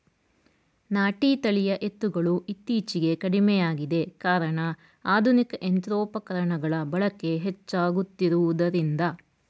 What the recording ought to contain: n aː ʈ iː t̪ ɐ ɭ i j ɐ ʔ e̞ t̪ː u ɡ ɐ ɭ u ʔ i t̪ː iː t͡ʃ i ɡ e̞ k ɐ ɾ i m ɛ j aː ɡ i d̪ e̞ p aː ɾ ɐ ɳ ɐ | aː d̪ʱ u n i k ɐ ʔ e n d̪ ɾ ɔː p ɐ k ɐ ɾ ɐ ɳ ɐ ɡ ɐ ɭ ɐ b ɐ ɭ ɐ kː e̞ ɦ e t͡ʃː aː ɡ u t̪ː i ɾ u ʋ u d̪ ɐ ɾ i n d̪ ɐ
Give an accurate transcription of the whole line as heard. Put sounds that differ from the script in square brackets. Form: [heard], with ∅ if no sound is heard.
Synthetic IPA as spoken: n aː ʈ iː t̪ ɐ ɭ i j ɐ ʔ e̞ t̪ː u ɡ ɐ ɭ u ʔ i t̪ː iː t͡ʃ i ɡ e̞ k ɐ [ɽ] i m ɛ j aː ɡ i d̪ e̞ [k] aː ɾ ɐ ɳ ɐ | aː d̪ʱ u n i k ɐ ʔ e n [t̪] ɾ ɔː p ɐ k ɐ ɾ ɐ ɳ ɐ ɡ ɐ ɭ ɐ b ɐ ɭ ɐ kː e̞ ɦ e t͡ʃː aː ɡ u t̪ː i ɾ u ʋ u d̪ ɐ ɾ i n d̪ ɐ